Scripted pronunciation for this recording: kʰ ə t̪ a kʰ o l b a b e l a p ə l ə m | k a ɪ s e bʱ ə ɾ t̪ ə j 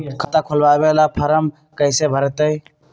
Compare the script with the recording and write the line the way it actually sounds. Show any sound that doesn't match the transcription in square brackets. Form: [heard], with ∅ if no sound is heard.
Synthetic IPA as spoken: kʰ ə t̪ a kʰ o l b a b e l a [pʰ] ə [ɾ] ə m | k [ə] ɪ s e bʱ ə ɾ t̪ ə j

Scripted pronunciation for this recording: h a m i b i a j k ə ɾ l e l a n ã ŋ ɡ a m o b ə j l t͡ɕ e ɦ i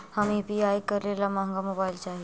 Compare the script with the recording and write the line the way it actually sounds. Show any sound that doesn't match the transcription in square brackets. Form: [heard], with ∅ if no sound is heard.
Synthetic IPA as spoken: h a m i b i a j k ə ɾ l e l a [m] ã ŋ ɡ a m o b [a] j l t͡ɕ [a] ɦ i

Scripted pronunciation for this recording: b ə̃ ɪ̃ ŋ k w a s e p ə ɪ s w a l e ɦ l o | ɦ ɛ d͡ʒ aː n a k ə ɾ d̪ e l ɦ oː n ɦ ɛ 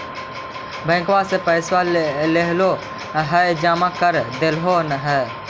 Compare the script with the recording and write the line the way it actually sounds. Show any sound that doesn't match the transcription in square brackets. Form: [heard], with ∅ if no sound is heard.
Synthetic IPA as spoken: b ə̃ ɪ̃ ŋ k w a s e p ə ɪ s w a l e ɦ l o | ɦ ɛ d͡ʒ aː [m] a k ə ɾ d̪ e l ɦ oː n ɦ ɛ

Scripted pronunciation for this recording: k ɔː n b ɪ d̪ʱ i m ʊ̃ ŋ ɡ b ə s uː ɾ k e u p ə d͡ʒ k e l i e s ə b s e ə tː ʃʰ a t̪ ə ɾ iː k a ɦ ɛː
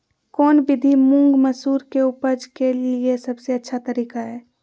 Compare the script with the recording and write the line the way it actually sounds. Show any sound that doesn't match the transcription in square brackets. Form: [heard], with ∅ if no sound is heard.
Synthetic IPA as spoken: k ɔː n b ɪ d̪ʱ i m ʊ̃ ŋ ɡ [m] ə s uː ɾ k e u p ə d͡ʒ k e l i e s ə b s e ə tː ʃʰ a t̪ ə ɾ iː k a ɦ ɛː

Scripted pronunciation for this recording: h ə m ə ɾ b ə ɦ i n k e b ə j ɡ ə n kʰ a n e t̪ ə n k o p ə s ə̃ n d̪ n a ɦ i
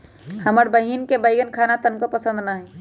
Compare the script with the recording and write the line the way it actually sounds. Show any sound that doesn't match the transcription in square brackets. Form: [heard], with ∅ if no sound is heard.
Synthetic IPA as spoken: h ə m ə ɾ b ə ɦ i n k e b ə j ɡ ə n kʰ a n [a] t̪ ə n k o p ə s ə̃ n d̪ n a ɦ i

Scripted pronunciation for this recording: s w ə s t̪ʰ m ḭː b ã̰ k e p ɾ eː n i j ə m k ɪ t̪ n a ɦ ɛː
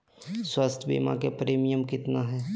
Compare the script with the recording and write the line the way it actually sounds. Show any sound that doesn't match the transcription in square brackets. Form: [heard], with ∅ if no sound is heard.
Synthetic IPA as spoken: s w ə s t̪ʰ [b] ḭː [m] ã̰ k e p ɾ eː [m] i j ə m k ɪ t̪ n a ɦ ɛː

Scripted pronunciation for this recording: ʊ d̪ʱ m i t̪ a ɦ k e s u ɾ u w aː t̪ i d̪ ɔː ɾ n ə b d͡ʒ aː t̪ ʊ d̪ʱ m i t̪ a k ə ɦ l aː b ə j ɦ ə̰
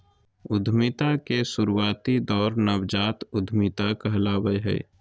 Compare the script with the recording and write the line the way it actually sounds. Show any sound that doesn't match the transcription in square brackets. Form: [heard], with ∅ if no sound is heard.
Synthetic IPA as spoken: ʊ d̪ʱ m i t̪ a [∅] k e s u ɾ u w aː t̪ i d̪ ɔː ɾ n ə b d͡ʒ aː t̪ ʊ d̪ʱ m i t̪ a k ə ɦ l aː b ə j ɦ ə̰

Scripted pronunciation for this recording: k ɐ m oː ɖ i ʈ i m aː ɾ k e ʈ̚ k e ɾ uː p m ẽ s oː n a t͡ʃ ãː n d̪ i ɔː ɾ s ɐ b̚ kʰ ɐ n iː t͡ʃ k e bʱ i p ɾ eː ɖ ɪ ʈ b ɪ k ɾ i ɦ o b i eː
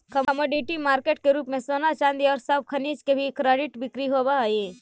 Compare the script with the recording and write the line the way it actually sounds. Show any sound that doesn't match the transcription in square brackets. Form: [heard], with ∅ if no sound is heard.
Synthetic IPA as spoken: k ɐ m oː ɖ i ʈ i m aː ɾ k e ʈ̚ k e ɾ uː p m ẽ s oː n a t͡ʃ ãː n d̪ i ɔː ɾ s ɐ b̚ kʰ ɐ n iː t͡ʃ k e bʱ i [k] ɾ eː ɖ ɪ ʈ b ɪ k ɾ i ɦ o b [a] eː

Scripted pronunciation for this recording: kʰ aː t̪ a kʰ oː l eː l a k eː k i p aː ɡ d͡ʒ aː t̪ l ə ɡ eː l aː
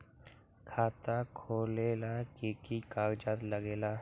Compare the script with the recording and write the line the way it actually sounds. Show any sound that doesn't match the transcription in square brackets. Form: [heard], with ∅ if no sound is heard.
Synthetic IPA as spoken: kʰ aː t̪ a kʰ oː l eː l a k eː k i [k] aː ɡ d͡ʒ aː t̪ l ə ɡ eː l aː

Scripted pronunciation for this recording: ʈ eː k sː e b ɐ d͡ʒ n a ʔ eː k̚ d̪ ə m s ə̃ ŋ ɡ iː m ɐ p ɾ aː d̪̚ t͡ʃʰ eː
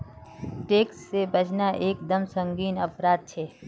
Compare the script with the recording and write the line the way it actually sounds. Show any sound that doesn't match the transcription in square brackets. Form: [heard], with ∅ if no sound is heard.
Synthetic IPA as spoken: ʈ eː k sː e b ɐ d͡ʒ n a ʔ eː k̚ d̪ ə m s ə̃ ŋ ɡ iː [n] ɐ p ɾ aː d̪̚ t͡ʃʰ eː

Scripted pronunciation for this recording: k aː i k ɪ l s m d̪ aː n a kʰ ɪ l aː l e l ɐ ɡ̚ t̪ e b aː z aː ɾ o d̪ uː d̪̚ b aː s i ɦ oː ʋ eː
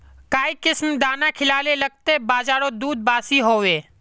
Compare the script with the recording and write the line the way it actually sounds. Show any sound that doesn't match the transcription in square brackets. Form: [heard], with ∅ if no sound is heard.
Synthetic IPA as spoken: k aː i k ɪ [∅] s m d̪ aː n a kʰ ɪ l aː l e l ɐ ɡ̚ t̪ e b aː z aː ɾ o d̪ uː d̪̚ b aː s i ɦ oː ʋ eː

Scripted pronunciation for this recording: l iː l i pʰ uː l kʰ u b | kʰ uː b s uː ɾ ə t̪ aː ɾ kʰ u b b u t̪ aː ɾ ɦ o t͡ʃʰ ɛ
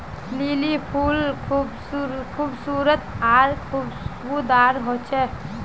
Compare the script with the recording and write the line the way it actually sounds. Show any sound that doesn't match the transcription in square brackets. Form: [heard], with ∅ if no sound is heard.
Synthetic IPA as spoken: l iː l i pʰ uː l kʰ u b | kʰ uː b s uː ɾ ə t̪ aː ɾ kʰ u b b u [d̪] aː ɾ ɦ o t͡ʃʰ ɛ

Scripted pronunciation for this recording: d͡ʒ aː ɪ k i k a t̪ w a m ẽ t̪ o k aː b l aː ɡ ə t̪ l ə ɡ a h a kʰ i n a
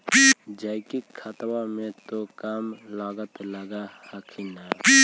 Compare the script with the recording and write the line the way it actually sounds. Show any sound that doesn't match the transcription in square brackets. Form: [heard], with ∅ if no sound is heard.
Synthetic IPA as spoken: d͡ʒ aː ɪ k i [kʰ] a t̪ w a m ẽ t̪ o k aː [m] l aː ɡ ə t̪ l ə ɡ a h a kʰ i n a

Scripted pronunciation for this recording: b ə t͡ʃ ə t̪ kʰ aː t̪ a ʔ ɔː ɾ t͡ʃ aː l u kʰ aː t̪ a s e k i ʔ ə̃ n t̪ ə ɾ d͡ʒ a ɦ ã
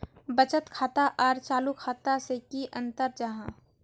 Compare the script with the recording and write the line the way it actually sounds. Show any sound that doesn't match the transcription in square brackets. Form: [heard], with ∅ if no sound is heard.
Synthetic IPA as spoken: b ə t͡ʃ ə t̪ kʰ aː t̪ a ʔ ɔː ɾ t͡ʃ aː l u kʰ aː t̪ a s e k i ʔ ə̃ n t̪ ə ɾ d͡ʒ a ɦ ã

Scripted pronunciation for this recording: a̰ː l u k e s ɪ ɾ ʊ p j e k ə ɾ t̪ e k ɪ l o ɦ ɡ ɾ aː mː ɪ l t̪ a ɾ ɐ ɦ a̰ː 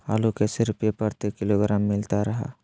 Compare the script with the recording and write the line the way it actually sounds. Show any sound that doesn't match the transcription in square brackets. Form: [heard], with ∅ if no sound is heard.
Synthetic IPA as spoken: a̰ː l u k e s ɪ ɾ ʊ p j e [p] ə ɾ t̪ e k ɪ l o [∅] ɡ ɾ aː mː ɪ l t̪ a ɾ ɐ ɦ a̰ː

